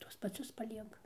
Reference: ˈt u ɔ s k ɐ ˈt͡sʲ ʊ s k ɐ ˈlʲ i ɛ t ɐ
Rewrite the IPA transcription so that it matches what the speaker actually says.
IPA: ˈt u ɔ s p ɐ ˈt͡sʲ ʊ s p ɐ ˈlʲ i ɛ k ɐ

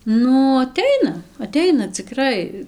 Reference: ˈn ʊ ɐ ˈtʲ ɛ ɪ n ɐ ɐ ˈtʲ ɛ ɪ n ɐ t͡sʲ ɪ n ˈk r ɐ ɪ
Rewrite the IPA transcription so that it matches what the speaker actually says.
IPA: ˈn ʊ ɐ ˈtʲ ɛ ɪ n ɐ ɐ ˈtʲ ɛ ɪ n ɐ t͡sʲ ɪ ˈk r ɐ ɪ

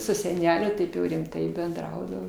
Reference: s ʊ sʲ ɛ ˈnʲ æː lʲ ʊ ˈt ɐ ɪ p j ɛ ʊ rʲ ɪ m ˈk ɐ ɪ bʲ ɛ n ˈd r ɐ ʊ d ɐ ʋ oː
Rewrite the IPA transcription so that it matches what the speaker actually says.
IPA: s ʊ sʲ ɛ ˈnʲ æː lʲ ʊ ˈt ɐ ɪ p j ɛ ʊ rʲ ɪ m ˈt ɐ ɪ bʲ ɛ n ˈd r ɐ ʊ d ɐ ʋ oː

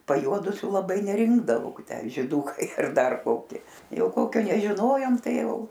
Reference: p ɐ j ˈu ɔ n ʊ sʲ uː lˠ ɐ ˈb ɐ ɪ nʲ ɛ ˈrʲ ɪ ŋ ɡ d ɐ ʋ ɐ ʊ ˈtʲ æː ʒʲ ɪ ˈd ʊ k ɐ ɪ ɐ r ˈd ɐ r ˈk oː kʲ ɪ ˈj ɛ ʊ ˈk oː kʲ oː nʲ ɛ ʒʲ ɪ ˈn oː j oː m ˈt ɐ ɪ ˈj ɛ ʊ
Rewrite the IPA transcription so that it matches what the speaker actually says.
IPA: p ɐ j ˈu ɔ d ʊ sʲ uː lˠ ɐ ˈb ɐ ɪ nʲ ɛ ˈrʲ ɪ ŋ ɡ d ɐ ʋ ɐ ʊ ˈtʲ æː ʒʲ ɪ ˈd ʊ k ɐ ɪ ɐ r ˈd ɐ r ˈk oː kʲ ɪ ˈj ɛ ʊ ˈk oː kʲ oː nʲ ɛ ʒʲ ɪ ˈn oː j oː m ˈt ɐ ɪ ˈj ɛ ʊ

